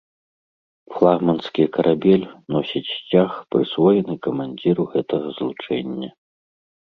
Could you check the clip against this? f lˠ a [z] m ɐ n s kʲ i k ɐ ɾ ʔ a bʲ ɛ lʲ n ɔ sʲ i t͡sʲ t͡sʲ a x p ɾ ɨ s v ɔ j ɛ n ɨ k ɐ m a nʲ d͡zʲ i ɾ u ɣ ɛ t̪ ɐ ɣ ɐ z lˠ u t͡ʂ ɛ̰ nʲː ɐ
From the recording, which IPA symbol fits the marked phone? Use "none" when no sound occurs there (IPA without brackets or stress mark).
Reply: ɣ